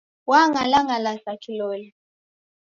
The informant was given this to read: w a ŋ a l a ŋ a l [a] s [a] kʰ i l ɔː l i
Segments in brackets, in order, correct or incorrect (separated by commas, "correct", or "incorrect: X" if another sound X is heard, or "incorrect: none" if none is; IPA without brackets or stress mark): correct, correct